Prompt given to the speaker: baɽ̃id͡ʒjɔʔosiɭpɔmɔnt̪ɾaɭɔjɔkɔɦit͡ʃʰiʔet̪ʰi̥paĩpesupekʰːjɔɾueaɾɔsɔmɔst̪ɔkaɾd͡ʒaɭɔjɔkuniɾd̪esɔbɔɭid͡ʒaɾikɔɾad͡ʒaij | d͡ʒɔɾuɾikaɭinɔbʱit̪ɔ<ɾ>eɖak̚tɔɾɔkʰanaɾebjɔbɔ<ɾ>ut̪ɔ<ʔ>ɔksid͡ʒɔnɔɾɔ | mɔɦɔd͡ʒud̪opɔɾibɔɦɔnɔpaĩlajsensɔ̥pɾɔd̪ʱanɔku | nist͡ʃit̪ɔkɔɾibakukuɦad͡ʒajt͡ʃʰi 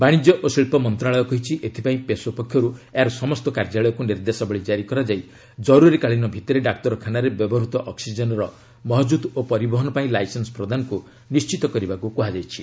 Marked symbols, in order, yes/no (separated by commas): yes, yes, yes